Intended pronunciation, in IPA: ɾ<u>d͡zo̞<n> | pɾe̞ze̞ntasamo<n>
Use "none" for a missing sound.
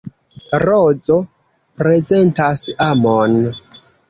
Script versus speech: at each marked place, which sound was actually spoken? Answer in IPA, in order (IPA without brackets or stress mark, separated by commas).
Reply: o, none, n